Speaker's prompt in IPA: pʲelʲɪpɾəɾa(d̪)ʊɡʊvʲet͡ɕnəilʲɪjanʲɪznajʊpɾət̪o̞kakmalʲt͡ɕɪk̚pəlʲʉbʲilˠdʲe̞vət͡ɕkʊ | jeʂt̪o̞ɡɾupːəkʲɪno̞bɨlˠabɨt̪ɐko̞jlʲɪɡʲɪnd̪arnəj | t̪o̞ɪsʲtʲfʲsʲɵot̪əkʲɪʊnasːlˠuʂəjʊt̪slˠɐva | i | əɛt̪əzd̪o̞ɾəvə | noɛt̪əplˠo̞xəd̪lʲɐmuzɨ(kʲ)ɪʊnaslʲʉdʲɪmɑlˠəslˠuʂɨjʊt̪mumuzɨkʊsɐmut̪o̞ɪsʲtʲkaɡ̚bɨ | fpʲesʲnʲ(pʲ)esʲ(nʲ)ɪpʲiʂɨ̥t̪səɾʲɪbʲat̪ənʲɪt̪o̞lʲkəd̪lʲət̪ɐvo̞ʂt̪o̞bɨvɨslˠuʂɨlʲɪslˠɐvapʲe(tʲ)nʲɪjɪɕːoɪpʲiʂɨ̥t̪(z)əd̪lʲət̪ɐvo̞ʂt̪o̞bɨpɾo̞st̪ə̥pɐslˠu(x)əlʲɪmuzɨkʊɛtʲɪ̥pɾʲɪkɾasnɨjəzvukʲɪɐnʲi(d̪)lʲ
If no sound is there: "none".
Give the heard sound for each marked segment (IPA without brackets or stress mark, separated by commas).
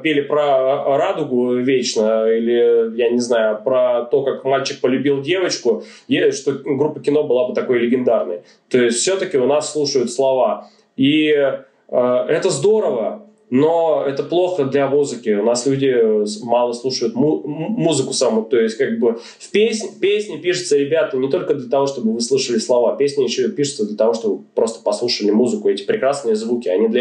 d̪, kʲ, pʲ, nʲ, sʲ, s, ʂ, d̪